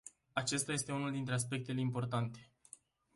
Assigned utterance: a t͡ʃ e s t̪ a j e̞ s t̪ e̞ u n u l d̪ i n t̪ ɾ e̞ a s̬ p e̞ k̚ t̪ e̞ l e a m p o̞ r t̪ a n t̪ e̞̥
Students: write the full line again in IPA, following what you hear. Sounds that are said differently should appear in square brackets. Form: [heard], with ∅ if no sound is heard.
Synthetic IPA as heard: a t͡ʃ e s t̪ a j e̞ s t̪ e̞ u n u l d̪ i n t̪ ɾ e̞ a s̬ p e̞ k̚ t̪ e̞ l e [i] m p o̞ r t̪ a n t̪ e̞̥